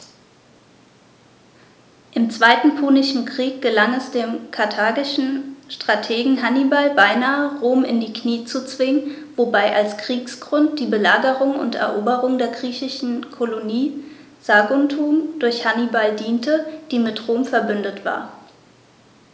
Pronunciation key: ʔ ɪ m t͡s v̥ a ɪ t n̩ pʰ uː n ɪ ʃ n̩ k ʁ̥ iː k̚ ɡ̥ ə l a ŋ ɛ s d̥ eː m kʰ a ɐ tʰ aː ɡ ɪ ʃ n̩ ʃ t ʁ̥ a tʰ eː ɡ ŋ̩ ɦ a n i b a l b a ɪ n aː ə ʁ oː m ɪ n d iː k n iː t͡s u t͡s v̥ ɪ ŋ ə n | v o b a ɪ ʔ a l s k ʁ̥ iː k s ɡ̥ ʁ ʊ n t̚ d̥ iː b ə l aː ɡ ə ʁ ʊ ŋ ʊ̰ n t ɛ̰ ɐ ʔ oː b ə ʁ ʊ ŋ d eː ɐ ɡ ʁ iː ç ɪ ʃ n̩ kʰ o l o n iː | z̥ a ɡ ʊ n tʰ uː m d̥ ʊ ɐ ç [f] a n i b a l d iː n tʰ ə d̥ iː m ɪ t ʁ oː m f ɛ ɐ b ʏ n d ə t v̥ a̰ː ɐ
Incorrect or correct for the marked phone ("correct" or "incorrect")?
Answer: incorrect